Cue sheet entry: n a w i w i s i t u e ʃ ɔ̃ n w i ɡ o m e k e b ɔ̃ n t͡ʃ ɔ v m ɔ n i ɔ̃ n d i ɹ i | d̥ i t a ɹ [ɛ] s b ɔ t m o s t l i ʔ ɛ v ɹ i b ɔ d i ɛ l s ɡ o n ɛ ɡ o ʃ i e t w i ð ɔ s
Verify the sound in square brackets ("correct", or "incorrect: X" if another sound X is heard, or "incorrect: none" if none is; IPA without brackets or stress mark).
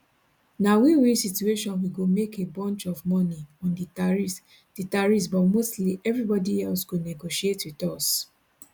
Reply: incorrect: i